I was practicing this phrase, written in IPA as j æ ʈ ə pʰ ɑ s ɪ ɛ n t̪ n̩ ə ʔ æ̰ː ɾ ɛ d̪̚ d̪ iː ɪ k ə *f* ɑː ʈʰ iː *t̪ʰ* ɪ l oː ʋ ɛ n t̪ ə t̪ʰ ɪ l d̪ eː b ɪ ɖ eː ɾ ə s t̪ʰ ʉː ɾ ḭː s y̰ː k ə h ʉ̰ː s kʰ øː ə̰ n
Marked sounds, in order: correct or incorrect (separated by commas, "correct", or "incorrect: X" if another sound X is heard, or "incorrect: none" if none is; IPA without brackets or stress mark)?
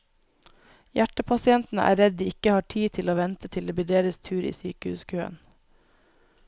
incorrect: h, correct